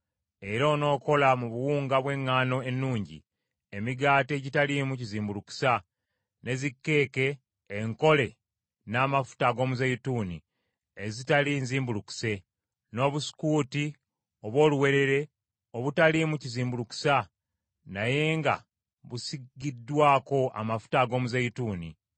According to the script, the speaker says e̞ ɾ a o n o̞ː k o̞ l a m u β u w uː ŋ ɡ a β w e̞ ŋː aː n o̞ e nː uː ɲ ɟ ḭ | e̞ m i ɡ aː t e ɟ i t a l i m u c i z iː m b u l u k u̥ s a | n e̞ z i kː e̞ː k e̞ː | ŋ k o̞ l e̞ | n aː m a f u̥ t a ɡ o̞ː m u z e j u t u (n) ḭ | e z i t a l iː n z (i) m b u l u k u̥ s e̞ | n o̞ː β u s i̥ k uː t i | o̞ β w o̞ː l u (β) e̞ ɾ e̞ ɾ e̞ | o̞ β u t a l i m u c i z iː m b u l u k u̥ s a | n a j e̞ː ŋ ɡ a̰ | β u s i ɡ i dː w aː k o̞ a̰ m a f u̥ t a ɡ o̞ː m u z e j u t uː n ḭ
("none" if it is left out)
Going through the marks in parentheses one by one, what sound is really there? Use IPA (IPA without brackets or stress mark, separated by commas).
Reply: n, iː, w